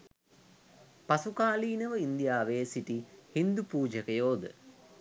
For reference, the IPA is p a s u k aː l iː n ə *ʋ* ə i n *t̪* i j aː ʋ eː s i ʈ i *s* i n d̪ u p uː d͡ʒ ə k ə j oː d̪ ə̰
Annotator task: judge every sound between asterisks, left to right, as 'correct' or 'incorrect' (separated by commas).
correct, incorrect, incorrect